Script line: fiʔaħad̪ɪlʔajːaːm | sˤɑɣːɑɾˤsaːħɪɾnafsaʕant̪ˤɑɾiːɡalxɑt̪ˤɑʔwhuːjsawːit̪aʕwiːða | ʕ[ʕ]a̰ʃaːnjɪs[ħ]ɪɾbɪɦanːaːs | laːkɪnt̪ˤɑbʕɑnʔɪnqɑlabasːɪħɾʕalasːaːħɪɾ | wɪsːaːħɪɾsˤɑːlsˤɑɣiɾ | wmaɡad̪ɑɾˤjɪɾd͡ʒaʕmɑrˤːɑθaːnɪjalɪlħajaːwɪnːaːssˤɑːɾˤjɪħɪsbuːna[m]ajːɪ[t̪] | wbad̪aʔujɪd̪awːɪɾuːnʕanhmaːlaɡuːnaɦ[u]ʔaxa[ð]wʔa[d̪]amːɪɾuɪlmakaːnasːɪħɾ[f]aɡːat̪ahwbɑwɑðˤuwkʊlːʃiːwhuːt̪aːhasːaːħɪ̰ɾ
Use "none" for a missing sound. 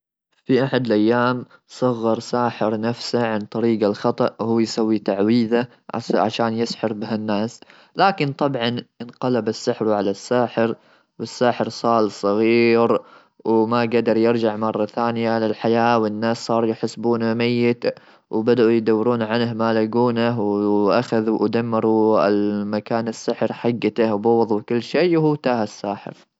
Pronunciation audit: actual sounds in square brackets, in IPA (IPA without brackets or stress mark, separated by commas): ʕ, ħ, m, t̪, w, ð, d̪, ħ